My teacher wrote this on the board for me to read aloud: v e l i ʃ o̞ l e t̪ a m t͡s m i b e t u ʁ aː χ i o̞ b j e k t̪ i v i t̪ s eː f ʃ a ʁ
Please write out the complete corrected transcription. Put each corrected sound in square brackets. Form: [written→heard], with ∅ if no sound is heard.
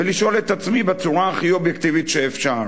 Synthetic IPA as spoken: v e l i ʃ o̞ l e t̪ a [m→∅] t͡s m i b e [t→t͡s] u ʁ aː χ i o̞ b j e k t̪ i v i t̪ [s→ʃ] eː f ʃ a ʁ